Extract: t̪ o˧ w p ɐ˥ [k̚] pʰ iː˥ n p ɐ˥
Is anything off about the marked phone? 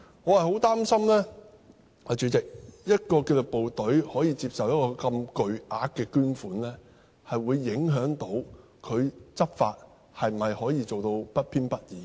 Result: yes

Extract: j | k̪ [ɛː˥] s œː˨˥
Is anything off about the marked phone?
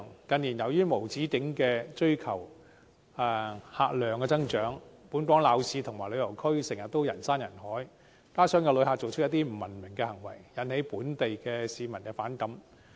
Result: yes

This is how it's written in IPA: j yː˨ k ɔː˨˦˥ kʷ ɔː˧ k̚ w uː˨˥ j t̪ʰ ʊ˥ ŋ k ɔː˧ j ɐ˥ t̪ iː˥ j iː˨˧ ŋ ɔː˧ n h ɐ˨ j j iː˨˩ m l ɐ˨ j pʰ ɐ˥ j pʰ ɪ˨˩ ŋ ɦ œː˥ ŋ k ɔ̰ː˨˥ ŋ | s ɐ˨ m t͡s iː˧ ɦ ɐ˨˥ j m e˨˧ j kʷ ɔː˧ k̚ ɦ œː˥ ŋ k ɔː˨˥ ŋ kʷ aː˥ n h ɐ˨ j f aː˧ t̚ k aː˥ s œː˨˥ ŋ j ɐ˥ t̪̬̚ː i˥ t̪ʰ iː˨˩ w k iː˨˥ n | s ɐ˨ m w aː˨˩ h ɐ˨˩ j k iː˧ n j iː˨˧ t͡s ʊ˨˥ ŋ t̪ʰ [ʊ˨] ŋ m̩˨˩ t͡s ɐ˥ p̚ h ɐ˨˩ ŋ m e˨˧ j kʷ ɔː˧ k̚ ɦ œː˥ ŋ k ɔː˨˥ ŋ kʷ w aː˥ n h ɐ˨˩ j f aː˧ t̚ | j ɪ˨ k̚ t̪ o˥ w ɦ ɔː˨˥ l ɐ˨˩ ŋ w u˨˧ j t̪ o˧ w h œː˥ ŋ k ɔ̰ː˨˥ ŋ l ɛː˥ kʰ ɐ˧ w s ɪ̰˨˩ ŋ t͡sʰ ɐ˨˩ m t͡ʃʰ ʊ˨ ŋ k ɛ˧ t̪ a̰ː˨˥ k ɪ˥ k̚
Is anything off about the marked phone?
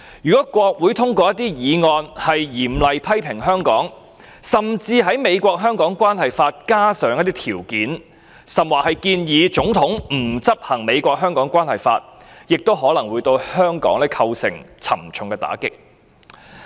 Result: yes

